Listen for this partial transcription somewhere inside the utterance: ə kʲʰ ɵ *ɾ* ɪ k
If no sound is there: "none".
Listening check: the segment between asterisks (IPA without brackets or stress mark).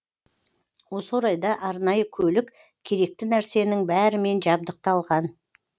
l